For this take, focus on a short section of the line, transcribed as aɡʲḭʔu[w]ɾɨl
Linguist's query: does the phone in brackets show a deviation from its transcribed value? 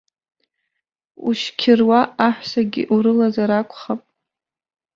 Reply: yes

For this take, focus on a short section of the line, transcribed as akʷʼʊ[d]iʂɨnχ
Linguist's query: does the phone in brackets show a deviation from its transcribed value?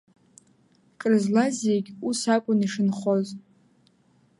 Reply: yes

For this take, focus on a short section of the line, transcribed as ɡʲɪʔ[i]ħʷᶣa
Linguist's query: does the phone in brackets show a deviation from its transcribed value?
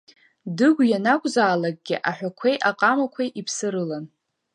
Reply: yes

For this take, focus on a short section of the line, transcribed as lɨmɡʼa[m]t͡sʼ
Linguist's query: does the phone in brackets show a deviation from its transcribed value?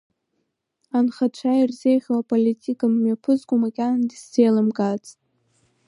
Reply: yes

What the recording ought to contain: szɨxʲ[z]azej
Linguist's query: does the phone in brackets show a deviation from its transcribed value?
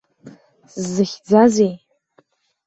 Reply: yes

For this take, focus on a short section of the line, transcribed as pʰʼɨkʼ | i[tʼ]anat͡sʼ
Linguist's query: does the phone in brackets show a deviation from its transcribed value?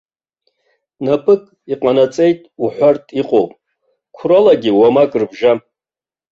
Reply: yes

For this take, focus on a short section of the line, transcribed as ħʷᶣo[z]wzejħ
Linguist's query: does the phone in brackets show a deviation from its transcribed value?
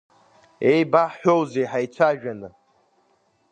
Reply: yes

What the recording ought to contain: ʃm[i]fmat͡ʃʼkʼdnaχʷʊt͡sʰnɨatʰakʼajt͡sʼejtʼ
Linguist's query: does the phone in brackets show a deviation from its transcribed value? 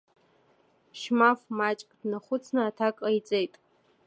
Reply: yes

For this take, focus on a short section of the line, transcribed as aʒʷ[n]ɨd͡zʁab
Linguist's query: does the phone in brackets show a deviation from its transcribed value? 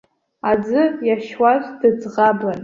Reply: yes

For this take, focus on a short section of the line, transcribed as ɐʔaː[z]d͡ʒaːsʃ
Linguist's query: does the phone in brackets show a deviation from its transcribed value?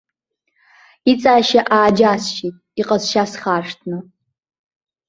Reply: yes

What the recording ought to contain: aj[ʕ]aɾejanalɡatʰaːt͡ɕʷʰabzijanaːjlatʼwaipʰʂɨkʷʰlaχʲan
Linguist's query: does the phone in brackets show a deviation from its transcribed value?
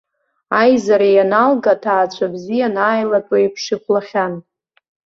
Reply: yes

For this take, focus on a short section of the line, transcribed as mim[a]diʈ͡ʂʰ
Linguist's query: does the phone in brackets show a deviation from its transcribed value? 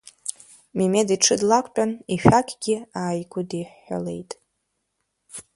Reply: yes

